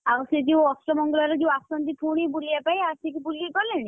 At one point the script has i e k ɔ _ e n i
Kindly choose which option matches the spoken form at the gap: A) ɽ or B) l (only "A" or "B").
B